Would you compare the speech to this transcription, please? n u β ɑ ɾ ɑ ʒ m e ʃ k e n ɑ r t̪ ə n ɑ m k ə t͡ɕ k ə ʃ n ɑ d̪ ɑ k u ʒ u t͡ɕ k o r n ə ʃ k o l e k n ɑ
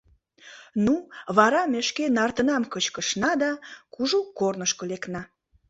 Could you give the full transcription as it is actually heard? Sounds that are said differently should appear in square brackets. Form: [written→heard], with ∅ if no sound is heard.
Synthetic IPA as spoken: n u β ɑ ɾ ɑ [ʒ→∅] m e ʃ k e n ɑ r t̪ ə n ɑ m k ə t͡ɕ k ə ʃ n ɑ d̪ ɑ k u ʒ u [t͡ɕ→∅] k o r n ə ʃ k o l e k n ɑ